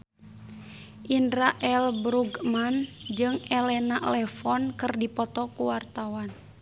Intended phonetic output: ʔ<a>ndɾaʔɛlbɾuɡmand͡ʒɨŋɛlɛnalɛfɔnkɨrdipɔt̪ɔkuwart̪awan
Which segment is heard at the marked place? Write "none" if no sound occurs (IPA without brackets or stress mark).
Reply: i